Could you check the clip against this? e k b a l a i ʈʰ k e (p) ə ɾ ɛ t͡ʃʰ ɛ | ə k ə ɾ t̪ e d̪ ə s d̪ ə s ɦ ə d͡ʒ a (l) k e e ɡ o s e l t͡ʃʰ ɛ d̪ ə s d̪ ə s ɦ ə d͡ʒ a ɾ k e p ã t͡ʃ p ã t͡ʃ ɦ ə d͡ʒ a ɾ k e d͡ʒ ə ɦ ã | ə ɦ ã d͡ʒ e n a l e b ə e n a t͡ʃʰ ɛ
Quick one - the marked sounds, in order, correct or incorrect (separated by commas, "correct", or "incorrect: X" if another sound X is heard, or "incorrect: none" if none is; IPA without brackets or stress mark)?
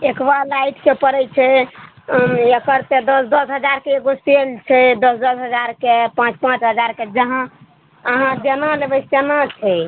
correct, incorrect: ɾ